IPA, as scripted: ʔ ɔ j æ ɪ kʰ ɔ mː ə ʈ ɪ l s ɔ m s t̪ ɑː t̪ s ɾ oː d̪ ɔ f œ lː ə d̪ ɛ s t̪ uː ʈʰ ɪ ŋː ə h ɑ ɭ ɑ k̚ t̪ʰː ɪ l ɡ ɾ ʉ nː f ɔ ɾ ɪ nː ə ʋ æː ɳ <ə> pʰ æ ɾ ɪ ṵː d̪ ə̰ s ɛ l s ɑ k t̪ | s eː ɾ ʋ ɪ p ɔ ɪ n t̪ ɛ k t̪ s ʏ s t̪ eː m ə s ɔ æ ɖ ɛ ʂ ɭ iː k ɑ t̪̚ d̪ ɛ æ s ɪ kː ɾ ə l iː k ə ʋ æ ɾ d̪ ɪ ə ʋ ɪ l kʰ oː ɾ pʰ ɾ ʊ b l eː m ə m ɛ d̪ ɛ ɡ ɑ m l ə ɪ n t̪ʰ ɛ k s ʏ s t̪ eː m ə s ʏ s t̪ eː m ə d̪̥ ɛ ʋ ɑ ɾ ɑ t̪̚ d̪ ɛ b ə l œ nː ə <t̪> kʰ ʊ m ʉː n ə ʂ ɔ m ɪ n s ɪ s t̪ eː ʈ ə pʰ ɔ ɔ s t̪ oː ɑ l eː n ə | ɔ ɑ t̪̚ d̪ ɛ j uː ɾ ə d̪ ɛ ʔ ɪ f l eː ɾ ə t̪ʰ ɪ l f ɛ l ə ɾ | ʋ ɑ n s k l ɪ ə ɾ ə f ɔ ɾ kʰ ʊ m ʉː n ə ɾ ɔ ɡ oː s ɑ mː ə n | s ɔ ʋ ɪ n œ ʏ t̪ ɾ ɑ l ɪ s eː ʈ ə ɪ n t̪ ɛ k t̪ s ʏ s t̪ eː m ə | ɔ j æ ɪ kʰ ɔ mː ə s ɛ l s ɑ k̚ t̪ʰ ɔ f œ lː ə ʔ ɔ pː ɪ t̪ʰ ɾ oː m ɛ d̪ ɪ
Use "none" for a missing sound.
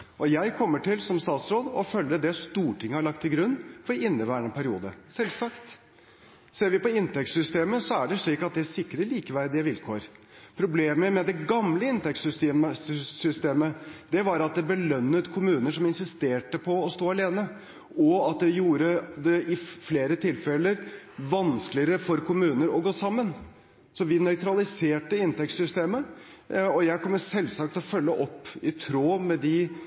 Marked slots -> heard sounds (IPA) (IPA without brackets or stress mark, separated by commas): ə, t̪